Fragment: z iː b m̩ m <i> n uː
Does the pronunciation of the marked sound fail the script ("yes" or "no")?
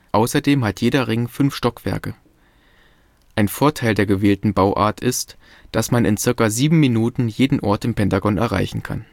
no